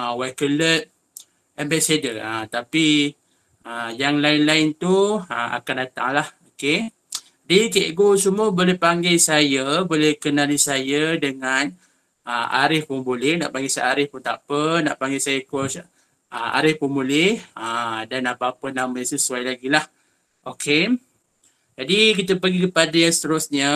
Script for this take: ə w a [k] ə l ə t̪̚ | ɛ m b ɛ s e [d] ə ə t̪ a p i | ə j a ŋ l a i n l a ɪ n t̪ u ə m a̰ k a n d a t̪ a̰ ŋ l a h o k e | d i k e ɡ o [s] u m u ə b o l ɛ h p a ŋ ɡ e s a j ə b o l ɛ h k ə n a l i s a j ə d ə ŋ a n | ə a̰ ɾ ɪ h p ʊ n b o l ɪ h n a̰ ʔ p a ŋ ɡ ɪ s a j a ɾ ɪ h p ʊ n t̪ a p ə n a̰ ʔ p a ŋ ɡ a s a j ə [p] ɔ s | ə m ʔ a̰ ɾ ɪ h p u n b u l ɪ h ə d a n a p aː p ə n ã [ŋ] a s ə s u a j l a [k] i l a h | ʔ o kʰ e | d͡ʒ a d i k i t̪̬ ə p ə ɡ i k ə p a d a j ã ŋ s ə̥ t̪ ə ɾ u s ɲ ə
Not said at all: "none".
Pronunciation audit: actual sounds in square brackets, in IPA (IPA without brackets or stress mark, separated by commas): k, d, s, k, m, ɡ